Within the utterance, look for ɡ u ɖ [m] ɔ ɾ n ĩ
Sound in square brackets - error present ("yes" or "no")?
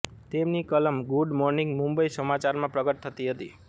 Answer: no